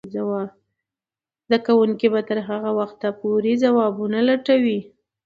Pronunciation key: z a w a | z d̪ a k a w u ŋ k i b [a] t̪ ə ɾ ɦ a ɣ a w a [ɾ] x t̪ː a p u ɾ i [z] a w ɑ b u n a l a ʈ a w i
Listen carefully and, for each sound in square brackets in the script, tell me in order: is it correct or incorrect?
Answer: correct, incorrect: none, correct

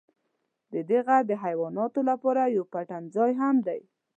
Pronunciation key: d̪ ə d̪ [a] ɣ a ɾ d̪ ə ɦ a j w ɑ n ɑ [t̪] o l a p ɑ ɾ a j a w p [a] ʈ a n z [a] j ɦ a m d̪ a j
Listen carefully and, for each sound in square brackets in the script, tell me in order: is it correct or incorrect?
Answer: incorrect: e, correct, correct, incorrect: ɑ

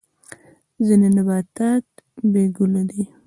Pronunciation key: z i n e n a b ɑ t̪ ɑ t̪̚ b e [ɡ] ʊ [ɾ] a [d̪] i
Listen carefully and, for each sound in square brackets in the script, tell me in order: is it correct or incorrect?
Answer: correct, incorrect: l, correct

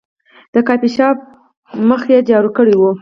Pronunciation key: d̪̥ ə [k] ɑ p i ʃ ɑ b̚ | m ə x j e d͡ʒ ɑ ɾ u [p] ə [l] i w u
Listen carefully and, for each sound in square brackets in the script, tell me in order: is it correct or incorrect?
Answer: correct, incorrect: k, incorrect: ɽ

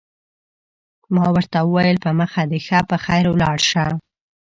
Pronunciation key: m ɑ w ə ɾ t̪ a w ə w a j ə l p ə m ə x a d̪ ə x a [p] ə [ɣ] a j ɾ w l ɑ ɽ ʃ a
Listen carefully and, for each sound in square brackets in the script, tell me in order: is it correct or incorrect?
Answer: correct, incorrect: x

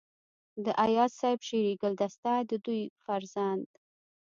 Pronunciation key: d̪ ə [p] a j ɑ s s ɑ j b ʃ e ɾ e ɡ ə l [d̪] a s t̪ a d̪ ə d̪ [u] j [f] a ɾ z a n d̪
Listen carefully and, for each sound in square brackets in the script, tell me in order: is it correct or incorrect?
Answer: incorrect: ʔ, correct, correct, correct

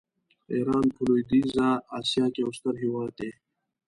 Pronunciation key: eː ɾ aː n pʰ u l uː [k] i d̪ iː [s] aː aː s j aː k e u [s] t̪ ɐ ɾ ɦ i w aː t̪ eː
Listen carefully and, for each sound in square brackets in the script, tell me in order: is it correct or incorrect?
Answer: incorrect: none, incorrect: z, correct

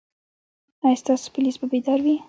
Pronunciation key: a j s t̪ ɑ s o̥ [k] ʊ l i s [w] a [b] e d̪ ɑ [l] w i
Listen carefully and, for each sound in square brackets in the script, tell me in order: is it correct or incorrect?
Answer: incorrect: p, incorrect: b, correct, incorrect: ɾ

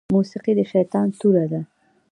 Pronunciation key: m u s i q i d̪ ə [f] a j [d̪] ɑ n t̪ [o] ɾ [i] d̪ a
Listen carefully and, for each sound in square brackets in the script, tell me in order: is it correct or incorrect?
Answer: incorrect: ʃ, incorrect: t̪, incorrect: u, incorrect: a

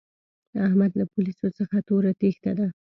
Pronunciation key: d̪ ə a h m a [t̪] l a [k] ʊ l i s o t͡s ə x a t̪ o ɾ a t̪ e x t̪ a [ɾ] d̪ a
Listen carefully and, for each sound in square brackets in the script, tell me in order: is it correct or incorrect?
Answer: incorrect: d̪, incorrect: p, incorrect: none

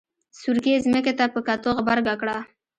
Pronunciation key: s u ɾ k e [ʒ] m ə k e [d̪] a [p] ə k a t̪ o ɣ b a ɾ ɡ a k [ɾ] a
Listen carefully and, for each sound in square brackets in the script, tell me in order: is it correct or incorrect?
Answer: incorrect: z, incorrect: t̪, correct, incorrect: ɽ

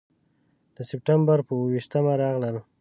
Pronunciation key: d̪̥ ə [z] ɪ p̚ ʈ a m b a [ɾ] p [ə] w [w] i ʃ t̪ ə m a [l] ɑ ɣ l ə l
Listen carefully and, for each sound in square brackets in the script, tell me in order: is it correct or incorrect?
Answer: incorrect: s, correct, correct, correct, incorrect: ɾ

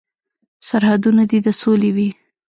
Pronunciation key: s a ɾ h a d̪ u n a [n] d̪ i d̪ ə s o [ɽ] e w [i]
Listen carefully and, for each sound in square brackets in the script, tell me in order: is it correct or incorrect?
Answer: incorrect: none, incorrect: l, correct

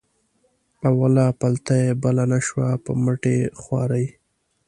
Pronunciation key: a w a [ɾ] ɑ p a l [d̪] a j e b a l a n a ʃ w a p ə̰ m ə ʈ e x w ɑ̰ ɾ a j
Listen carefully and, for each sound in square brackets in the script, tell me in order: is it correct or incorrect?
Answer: incorrect: l, incorrect: t̪

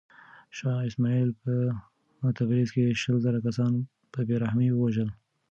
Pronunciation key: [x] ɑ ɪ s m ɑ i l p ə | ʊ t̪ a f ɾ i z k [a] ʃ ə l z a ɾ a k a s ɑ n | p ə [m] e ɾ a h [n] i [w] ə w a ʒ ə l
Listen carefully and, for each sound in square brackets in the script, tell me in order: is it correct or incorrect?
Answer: incorrect: ʃ, incorrect: e, incorrect: b, incorrect: m, correct

